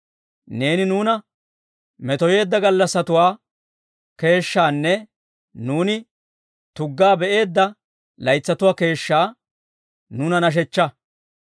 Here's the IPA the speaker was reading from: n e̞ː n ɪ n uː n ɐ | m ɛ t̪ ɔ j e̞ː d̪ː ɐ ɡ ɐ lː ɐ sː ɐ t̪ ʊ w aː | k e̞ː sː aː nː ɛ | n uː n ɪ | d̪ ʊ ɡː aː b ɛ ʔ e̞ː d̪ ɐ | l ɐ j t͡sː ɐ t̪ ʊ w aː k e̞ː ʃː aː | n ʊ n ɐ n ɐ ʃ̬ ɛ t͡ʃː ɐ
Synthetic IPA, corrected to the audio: n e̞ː n ɪ n uː n ɐ | m ɛ t̪ ɔ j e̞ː d̪ː ɐ ɡ ɐ lː ɐ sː ɐ t̪ ʊ w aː | k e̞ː ʃː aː nː ɛ | n uː n ɪ | t̪ ʊ ɡː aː b ɛ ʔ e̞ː d̪ː ɐ | l ɐ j t͡sː ɐ t̪ ʊ w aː k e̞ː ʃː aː | n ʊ n ɐ n ɐ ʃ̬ ɛ t͡ʃː ɐ